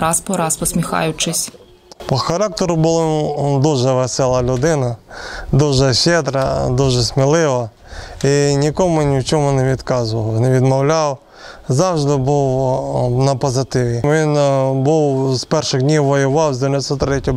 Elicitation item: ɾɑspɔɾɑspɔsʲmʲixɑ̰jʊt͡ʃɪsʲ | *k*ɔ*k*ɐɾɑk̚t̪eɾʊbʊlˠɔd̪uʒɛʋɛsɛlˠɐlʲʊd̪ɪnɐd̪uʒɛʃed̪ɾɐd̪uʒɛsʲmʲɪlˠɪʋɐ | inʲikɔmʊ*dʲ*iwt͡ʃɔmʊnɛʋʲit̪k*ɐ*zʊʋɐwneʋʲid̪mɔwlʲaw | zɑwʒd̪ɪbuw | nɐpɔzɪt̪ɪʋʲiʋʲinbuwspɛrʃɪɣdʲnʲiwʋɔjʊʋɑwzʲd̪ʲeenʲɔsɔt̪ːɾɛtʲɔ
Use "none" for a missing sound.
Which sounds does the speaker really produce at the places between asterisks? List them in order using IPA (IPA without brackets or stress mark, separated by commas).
p, x, nʲ, ɑ